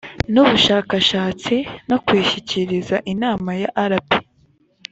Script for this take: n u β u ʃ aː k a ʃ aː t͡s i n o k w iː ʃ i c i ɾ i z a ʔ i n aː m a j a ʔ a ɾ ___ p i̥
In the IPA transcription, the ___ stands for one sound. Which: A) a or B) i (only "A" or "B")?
A